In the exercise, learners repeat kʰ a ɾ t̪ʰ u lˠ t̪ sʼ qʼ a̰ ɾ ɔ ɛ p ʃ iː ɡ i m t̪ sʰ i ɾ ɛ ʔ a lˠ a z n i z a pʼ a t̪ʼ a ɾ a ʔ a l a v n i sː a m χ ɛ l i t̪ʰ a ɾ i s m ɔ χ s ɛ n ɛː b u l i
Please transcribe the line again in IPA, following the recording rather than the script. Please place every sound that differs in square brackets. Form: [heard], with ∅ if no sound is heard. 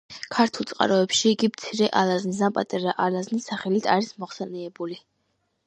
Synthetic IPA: kʰ a ɾ t̪ʰ u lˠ t̪ sʼ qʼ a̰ ɾ ɔ ɛ p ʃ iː ɡ i m t̪ sʰ i ɾ ɛ ʔ a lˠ a z n i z a pʼ a t̪ʼ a ɾ a ʔ a l a [z] n i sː a [∅] χ ɛ l i t̪ʰ a ɾ i s m ɔ χ s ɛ n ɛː b u l i